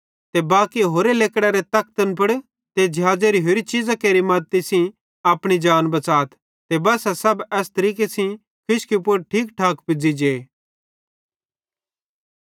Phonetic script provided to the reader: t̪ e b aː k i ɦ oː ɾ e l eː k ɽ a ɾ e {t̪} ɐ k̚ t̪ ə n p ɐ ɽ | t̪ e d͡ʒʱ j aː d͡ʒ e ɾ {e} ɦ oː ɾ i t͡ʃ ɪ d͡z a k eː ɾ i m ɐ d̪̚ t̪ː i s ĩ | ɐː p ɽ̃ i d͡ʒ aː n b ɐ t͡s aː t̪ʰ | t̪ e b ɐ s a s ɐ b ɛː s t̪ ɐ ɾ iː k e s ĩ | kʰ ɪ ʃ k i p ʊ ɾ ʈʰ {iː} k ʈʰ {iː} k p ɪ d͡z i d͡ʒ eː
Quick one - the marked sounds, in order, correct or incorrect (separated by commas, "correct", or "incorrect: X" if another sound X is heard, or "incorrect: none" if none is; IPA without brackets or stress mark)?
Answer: correct, incorrect: i, correct, incorrect: aː